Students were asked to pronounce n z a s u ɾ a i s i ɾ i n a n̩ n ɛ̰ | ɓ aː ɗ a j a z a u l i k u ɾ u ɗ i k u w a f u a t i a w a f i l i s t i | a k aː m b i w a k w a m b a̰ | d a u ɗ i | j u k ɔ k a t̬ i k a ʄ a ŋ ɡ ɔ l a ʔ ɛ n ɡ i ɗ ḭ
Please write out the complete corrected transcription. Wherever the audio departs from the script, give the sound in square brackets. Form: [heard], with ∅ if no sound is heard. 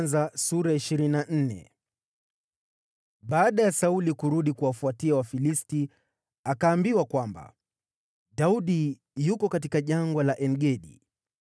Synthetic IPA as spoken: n z a s u ɾ a i [ʃ] i ɾ i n a n̩ n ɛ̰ | ɓ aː ɗ a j a [s] a u l i k u ɾ u ɗ i k u w a f u a t i a w a f i l i s t i | a k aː m b i w a k w a m b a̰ | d a u ɗ i | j u k ɔ k a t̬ i k a ʄ a ŋ ɡ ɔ l a ʔ ɛ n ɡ [ɛ] ɗ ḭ